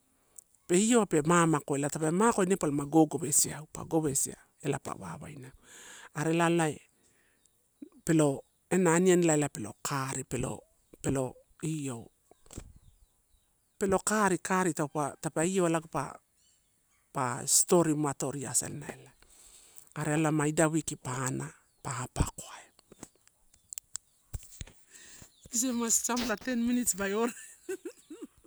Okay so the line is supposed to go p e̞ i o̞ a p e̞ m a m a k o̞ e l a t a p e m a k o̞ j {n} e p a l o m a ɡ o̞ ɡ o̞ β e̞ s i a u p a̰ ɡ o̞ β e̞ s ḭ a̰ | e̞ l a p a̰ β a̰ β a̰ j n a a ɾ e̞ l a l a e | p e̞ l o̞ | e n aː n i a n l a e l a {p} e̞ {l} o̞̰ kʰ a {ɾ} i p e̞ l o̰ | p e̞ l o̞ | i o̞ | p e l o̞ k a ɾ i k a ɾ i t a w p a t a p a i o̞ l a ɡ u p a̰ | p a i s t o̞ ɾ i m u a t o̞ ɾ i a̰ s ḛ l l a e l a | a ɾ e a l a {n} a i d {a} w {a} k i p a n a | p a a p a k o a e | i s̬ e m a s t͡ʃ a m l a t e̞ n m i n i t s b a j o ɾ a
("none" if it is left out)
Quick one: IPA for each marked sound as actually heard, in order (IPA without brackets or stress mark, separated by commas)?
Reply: n, p, l, ɾ, m, a, i